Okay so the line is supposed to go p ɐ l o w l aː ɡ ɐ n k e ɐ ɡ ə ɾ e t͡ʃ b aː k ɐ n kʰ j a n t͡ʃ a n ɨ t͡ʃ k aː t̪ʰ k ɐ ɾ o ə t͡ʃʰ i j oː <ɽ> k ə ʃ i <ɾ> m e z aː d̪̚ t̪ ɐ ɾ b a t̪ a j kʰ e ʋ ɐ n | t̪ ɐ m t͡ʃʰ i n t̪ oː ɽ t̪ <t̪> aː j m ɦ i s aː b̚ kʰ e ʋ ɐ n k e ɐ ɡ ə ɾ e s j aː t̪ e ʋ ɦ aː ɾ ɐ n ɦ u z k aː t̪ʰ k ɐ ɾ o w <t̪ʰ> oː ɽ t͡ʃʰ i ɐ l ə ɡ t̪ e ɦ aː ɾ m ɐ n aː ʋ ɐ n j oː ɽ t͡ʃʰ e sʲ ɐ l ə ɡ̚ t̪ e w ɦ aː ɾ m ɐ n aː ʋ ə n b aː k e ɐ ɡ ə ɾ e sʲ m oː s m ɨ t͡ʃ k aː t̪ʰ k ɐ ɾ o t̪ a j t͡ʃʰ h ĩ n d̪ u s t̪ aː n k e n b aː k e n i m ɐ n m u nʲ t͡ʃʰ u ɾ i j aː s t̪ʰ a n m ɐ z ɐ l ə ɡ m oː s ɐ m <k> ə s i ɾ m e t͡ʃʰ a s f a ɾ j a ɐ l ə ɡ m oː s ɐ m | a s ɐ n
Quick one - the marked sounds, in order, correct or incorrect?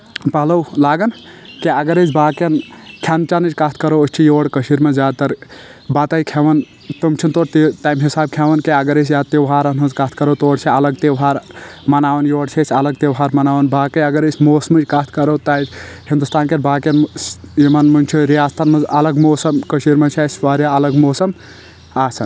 correct, correct, correct, incorrect, correct

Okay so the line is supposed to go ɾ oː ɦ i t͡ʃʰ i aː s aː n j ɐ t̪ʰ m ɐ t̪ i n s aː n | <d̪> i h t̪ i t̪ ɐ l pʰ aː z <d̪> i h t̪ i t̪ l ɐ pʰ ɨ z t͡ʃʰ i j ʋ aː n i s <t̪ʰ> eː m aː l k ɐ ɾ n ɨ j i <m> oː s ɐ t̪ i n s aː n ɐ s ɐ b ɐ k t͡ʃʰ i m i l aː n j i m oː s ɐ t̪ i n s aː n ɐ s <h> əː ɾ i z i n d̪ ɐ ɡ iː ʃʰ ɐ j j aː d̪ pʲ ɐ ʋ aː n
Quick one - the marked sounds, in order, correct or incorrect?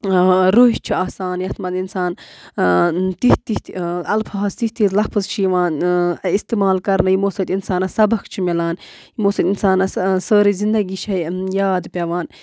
incorrect, incorrect, incorrect, correct, incorrect

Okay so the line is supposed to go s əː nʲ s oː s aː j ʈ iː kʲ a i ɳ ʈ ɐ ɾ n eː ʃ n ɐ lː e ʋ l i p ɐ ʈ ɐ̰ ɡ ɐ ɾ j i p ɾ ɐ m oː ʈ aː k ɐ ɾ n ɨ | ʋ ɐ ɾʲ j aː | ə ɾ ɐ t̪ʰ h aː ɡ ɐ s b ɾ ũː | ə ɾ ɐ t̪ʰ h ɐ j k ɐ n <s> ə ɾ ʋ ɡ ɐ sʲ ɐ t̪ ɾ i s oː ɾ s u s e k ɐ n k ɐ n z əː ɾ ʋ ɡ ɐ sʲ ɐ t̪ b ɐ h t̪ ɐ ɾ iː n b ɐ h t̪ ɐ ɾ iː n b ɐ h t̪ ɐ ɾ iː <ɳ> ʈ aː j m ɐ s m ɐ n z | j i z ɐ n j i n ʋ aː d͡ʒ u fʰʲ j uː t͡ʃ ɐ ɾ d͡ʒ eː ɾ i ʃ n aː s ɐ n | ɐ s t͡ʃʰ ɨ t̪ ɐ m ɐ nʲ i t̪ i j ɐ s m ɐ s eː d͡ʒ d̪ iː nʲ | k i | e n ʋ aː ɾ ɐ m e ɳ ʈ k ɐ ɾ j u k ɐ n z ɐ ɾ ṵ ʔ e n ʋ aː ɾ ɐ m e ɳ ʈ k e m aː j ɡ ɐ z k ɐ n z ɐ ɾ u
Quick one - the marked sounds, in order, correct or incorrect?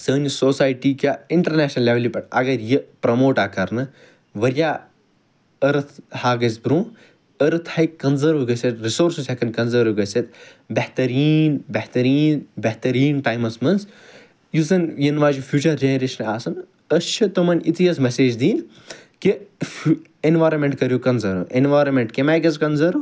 incorrect, incorrect

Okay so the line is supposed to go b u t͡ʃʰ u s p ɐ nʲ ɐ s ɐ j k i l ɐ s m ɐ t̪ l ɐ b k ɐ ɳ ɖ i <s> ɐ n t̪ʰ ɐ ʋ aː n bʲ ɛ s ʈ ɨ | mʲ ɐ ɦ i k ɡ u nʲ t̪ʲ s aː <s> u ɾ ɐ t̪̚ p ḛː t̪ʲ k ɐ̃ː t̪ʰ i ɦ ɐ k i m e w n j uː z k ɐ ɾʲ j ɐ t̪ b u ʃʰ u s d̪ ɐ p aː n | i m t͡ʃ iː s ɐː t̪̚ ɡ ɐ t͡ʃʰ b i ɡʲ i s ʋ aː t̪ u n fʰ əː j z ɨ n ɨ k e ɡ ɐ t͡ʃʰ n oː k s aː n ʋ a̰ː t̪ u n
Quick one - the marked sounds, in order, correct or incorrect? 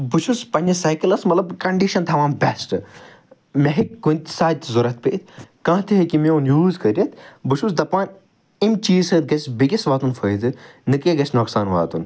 incorrect, incorrect

